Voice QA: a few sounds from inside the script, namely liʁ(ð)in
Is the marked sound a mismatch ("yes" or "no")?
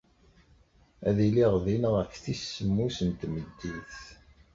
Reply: no